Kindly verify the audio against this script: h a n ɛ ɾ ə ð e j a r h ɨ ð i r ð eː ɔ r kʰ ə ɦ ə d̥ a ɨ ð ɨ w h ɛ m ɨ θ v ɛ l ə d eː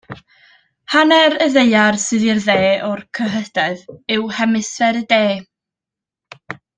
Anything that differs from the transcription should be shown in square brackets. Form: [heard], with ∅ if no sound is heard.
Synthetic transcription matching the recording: h a n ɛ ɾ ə ð e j a r [s] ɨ ð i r ð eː ɔ r kʰ ə ɦ ə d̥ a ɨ ð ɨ w h ɛ m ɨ [s] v ɛ [ɾ] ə d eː